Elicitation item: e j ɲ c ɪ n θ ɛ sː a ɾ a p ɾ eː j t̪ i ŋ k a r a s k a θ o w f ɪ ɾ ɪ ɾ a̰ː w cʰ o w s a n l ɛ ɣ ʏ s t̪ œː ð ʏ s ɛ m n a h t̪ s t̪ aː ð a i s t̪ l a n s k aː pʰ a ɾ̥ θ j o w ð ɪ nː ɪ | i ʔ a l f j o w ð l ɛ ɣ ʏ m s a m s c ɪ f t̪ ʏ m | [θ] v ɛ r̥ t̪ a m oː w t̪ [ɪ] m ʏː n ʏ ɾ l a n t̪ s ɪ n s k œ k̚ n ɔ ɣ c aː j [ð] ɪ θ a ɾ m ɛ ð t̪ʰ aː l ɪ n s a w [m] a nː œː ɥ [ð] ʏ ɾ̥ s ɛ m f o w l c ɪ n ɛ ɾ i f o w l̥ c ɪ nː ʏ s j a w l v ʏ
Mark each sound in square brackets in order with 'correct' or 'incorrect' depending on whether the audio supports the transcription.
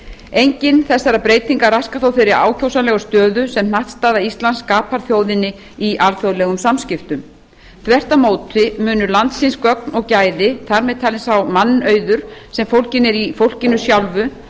correct, correct, correct, correct, correct

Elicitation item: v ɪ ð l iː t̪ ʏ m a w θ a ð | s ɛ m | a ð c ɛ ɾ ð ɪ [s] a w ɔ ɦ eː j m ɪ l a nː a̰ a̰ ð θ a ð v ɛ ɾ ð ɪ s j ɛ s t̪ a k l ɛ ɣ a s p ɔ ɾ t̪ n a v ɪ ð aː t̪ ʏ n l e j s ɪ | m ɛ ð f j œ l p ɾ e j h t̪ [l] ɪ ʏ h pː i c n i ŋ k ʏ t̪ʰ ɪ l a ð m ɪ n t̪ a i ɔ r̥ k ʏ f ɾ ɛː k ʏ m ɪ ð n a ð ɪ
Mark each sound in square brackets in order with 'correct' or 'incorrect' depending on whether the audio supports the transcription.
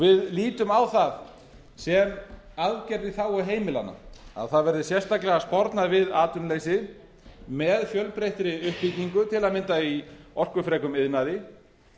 incorrect: θ, incorrect: ɾ

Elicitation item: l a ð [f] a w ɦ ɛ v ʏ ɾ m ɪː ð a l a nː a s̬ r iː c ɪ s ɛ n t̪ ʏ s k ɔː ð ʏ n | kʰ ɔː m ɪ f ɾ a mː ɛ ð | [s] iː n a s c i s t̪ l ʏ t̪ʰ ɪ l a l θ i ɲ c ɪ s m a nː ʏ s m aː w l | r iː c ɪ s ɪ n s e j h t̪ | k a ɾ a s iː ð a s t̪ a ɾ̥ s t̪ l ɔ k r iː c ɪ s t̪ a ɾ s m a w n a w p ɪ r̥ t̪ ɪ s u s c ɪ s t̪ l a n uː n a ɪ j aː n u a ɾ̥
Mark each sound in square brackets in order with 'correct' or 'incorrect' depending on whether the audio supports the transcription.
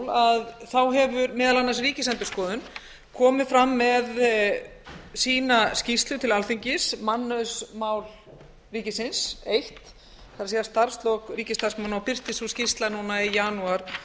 incorrect: θ, correct

